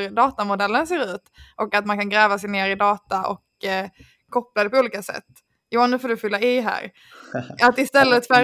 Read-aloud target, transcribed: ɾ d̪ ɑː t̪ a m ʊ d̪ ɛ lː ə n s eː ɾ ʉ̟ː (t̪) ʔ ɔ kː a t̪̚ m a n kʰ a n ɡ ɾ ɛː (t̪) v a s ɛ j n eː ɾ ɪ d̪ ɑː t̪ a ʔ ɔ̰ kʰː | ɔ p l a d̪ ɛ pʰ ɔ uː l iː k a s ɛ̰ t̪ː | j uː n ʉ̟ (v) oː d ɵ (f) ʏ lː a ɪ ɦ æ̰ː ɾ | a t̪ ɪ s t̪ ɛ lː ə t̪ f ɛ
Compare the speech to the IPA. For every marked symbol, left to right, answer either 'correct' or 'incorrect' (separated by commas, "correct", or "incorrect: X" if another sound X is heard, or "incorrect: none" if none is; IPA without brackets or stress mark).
correct, incorrect: none, incorrect: f, correct